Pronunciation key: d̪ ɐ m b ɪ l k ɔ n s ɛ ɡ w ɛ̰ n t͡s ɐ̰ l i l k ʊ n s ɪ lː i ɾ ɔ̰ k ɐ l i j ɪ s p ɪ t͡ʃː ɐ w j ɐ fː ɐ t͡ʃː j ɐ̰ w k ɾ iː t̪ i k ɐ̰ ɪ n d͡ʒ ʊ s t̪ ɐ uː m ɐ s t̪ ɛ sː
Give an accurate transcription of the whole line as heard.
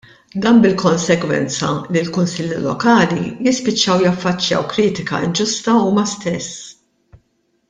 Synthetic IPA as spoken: d̪ ɐ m b ɪ l k ɔ n s ɛ ɡ w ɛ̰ n t͡s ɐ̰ l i l k ʊ n s ɪ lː i l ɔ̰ k ɐː l i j ɪ s p ɪ t͡ʃː ɐ w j ɐ fː ɐ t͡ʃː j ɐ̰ w k ɾ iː t̪ ɪ k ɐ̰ ɪ n d͡ʒ ʊ s t̪ ɐ uː m ɐ s t̪ ɛ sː